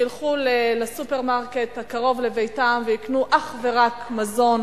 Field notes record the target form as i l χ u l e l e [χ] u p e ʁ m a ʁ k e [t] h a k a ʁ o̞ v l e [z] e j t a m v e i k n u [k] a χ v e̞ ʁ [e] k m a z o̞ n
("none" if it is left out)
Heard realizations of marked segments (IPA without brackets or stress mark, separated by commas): s, t, v, ʔ, a